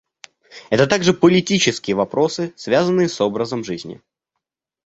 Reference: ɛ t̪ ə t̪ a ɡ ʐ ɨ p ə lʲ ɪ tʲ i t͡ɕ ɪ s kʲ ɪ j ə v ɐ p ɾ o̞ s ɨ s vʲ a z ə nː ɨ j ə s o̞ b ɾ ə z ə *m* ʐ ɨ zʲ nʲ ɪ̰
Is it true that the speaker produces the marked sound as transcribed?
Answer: yes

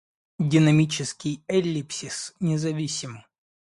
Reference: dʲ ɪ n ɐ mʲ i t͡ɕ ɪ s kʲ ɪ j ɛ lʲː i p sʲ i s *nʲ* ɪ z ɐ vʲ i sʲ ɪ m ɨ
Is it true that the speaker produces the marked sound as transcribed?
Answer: yes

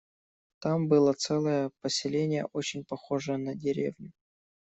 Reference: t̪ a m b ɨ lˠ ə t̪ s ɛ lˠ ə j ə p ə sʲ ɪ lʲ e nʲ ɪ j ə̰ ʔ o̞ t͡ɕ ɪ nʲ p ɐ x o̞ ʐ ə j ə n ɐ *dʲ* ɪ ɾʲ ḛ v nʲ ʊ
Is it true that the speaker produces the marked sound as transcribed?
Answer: yes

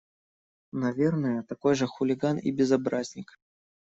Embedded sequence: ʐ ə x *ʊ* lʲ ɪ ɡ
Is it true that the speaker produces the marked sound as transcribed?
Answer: yes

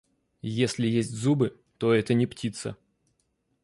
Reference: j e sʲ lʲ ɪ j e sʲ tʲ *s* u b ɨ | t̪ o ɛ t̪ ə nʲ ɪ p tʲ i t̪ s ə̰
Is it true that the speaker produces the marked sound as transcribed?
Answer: no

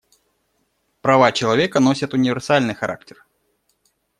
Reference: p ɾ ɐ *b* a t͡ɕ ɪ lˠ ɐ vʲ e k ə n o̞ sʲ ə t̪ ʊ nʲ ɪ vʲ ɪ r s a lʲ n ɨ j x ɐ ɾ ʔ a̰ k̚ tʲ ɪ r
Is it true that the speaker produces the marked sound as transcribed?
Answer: no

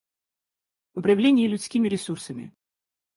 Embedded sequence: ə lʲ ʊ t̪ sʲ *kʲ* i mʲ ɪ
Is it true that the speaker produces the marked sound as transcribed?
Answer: yes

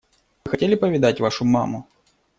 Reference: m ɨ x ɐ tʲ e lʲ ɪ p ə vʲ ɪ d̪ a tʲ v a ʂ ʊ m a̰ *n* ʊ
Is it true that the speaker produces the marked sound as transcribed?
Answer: no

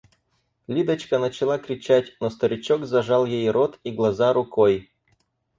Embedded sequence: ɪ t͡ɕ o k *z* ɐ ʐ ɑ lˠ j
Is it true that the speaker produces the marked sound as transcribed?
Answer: yes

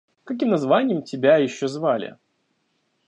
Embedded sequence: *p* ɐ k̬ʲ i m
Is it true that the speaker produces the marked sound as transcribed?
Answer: no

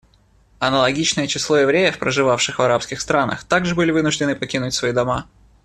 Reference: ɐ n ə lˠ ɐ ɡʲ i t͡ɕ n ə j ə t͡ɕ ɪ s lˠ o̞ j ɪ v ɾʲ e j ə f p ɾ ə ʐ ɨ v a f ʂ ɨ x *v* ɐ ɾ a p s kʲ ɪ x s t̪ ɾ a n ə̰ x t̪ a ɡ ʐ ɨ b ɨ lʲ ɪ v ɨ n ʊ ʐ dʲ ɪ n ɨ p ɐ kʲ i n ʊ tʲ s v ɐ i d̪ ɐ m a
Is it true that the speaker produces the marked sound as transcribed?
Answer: yes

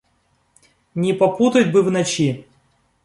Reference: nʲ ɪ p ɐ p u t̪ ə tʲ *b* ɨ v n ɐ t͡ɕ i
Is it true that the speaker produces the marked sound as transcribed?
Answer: yes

